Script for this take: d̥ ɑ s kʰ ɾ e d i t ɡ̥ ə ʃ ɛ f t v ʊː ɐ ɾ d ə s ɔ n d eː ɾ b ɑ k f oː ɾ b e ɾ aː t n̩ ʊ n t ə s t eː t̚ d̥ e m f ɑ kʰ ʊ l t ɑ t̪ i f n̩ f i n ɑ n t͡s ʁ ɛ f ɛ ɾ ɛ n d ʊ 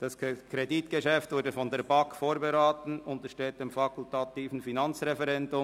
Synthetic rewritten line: d̥ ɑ s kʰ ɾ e d i t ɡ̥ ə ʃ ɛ f t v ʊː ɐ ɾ d ə f ɔ n d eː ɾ b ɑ k f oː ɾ b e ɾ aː t n̩ ʊ n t ə ʃ t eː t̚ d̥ e m f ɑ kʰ ʊ l t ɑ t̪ iː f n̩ f i n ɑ n t͡s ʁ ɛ f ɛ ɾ ɛ n d ʊ